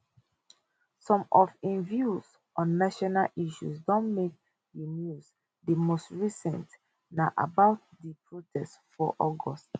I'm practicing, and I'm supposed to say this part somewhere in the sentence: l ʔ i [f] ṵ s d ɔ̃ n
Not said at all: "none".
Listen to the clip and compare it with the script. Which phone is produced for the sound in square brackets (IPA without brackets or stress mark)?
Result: ʃ